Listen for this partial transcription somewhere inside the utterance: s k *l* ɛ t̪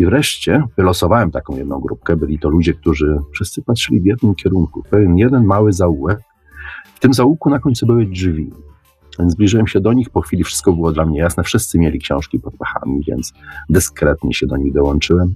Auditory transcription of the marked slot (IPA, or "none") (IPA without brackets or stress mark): ɾ